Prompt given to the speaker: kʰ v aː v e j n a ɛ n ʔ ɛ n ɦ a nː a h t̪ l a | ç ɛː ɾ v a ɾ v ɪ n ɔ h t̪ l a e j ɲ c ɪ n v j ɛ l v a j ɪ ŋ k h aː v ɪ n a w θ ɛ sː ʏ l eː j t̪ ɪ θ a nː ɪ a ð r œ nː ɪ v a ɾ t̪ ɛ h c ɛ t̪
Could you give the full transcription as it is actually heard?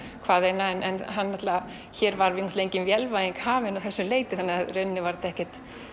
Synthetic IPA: kʰ v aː ð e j n a ɛ n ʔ ɛ n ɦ a nː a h t̪ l a | ç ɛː ɾ v a ɾ v ɪ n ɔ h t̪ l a e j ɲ c ɪ n v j ɛ l v a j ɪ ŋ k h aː v ɪ n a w θ ɛ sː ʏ l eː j t̪ ɪ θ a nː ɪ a ð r œ nː ɪ v a ɾ t̪ ɛ h c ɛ t̪